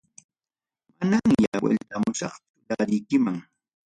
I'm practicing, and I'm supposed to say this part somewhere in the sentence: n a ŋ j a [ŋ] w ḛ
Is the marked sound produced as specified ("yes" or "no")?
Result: no